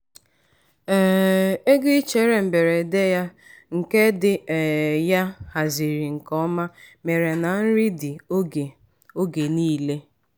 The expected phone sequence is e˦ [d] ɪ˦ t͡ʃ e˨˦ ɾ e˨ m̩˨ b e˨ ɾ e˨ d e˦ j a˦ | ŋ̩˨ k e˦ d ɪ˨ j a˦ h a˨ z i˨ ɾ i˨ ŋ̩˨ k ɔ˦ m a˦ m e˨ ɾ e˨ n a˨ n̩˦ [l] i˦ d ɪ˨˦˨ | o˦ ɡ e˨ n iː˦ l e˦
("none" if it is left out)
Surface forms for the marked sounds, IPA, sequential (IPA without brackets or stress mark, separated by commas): ɡ, ɾ